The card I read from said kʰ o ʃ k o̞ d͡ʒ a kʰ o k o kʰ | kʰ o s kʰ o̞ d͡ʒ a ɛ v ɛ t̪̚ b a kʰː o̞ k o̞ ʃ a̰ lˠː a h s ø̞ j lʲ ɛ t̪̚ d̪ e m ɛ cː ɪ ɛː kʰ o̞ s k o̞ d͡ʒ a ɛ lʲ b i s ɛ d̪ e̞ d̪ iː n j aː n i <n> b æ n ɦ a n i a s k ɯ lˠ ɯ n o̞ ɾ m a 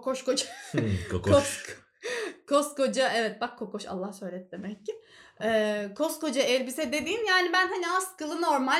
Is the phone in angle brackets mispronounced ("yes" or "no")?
yes